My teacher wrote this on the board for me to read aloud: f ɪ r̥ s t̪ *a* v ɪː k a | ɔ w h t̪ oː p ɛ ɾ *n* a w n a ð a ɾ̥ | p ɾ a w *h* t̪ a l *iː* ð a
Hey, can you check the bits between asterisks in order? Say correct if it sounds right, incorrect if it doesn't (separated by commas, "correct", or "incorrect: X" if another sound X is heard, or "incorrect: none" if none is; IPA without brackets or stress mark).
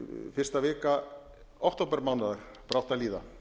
correct, incorrect: m, correct, correct